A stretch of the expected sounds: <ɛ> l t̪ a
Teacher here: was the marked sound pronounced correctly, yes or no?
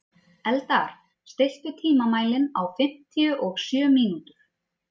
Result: yes